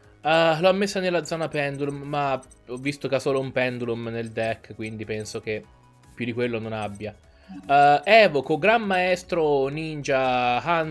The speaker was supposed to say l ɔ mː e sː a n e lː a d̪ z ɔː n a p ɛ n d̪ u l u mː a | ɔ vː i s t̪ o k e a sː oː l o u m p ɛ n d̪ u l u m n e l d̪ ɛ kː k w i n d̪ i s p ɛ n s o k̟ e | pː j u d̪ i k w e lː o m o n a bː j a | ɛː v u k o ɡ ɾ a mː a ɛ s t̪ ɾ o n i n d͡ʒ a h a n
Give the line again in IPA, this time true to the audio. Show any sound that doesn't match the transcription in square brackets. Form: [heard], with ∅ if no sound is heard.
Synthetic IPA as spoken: l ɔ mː e sː a n e lː a d̪ z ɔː n a p ɛ n d̪ u l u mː a | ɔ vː i s t̪ o k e a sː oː l o u m p ɛ n d̪ u l u m n e l d̪ ɛ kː k w i n d̪ i [∅] p ɛ n s o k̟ e | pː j u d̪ i k w e lː o [n] o n a bː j a | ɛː v [o] k o ɡ ɾ a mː a ɛ s t̪ ɾ o n i n d͡ʒ a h a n